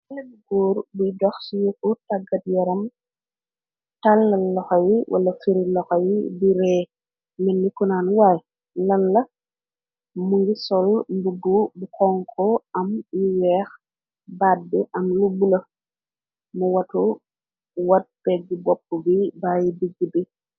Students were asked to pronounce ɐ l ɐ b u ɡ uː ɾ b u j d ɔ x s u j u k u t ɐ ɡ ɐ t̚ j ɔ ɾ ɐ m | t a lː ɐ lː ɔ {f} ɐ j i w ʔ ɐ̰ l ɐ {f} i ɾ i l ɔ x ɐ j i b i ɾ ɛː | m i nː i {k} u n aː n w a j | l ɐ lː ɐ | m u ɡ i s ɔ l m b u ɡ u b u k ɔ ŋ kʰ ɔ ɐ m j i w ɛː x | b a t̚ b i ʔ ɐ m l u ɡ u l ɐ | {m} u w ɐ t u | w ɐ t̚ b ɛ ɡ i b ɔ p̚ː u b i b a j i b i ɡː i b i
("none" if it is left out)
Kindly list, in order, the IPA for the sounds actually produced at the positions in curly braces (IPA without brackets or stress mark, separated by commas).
x, f, k, m